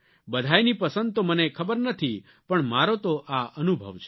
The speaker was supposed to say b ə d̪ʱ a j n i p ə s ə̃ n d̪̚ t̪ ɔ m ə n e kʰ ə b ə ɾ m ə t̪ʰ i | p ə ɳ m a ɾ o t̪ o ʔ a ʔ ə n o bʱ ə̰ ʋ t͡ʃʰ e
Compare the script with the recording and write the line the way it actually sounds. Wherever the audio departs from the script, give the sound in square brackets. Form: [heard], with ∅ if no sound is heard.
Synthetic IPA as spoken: b ə d̪ʱ a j n i p ə s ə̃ n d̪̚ t̪ [o] m ə n e kʰ ə b ə ɾ [n] ə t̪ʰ i | p ə ɳ m a ɾ o t̪ o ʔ a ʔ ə n [u] bʱ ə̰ ʋ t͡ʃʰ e